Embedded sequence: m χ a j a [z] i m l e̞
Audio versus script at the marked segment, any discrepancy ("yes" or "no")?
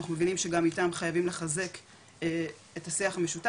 yes